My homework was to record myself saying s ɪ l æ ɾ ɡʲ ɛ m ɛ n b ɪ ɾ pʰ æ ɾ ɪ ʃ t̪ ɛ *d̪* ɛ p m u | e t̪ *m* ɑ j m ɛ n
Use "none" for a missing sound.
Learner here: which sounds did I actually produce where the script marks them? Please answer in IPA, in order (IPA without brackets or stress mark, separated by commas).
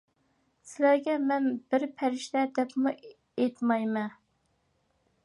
d̪, m